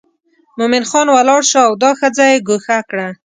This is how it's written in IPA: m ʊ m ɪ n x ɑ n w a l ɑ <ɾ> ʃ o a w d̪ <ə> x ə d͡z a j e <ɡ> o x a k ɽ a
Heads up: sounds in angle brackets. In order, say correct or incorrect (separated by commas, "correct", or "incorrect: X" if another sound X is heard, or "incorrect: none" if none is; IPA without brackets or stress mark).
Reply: incorrect: ɽ, incorrect: ɑ, correct